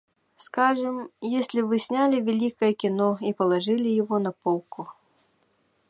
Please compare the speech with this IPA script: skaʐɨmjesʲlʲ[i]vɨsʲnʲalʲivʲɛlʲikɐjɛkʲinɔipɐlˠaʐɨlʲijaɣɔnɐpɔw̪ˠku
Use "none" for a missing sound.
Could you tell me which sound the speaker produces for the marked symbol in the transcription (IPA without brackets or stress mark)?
i